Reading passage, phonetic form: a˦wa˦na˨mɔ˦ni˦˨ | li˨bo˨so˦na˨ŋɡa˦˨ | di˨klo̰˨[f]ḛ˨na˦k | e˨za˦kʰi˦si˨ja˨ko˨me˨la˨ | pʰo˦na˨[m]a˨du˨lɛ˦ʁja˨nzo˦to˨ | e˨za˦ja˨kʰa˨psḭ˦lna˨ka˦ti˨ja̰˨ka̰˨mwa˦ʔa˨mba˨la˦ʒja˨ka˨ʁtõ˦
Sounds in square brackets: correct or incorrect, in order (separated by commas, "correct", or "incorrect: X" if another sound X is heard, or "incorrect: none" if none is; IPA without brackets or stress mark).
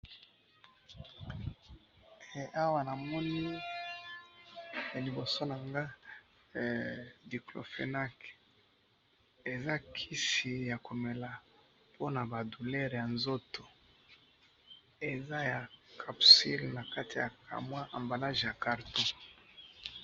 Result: correct, incorrect: b